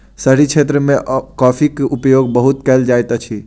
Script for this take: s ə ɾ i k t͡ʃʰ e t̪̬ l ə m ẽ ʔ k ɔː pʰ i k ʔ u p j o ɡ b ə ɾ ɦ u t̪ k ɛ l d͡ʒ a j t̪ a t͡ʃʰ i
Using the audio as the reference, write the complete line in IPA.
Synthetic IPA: s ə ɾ i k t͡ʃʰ e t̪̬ ɾ ə m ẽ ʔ k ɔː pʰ i k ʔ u p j o ɡ b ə ɦ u t̪ k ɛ l d͡ʒ a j t̪ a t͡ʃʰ i